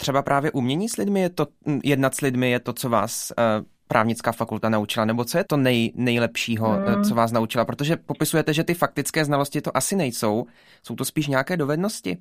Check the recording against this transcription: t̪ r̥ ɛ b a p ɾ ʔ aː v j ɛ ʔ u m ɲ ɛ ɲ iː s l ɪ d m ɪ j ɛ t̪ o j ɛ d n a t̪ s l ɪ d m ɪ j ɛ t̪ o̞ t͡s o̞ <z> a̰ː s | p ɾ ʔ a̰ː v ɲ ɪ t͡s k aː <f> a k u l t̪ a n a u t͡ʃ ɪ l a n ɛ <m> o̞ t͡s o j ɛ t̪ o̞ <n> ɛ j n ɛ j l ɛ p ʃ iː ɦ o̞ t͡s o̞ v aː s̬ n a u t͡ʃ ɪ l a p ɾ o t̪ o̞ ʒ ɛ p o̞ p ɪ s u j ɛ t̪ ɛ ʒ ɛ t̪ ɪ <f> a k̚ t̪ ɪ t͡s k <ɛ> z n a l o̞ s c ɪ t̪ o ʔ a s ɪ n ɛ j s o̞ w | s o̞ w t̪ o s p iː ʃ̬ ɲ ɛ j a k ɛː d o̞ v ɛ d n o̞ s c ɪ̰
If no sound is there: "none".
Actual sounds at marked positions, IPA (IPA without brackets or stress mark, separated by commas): v, f, b, n, f, ɛː